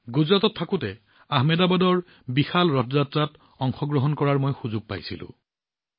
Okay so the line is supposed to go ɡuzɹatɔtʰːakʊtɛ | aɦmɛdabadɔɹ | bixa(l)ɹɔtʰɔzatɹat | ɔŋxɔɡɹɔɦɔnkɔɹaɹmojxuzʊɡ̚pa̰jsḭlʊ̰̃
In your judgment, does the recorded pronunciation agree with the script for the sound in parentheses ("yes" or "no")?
yes